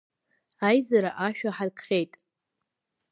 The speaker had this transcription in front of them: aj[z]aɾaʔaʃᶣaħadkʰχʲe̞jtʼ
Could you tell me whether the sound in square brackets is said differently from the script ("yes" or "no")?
no